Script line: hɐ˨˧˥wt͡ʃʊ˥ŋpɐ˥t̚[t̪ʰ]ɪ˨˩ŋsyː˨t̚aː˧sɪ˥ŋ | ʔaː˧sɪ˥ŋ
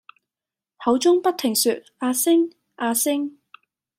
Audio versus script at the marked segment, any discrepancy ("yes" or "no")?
no